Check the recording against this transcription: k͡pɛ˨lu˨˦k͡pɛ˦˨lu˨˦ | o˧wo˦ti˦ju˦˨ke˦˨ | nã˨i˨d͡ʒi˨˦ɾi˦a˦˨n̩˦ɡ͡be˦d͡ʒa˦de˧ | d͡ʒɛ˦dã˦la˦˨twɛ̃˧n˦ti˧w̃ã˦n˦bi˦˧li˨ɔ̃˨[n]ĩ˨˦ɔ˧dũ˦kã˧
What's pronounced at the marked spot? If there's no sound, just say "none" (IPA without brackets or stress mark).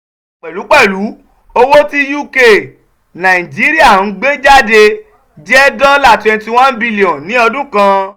n